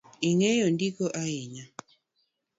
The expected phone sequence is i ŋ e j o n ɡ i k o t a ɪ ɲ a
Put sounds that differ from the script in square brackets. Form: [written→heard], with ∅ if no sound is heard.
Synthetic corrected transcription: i ŋ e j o n [ɡ→d] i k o [t→ʔ] a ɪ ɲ a